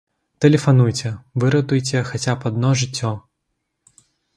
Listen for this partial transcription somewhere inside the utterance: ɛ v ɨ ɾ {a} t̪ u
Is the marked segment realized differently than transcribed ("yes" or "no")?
yes